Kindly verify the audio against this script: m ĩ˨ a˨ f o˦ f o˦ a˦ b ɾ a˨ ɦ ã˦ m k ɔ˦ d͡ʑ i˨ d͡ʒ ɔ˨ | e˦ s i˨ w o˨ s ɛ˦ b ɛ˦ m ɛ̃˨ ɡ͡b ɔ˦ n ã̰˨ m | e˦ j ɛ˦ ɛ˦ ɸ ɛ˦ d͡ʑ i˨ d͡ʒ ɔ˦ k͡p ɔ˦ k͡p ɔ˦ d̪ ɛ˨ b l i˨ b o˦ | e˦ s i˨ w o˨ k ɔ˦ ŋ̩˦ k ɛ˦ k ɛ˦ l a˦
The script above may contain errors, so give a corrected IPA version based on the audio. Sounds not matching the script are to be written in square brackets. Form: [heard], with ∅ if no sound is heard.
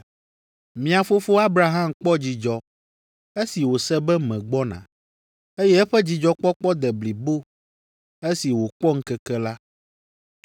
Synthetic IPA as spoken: m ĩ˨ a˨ f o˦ f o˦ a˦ b ɾ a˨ ɦ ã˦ m [k͡p] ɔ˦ d͡ʑ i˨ d͡ʒ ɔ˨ | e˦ s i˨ w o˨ s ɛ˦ b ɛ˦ m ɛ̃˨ ɡ͡b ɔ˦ n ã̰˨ [∅] | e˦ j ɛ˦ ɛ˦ ɸ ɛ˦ d͡ʑ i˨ d͡ʒ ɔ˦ k͡p ɔ˦ k͡p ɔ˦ d̪ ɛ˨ b l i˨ b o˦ | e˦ s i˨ w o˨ [k͡p] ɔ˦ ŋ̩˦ k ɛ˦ k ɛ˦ l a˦